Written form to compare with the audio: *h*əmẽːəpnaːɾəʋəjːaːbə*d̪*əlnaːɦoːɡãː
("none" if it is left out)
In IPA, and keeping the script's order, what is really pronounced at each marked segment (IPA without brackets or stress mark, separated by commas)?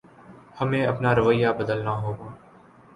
h, d̪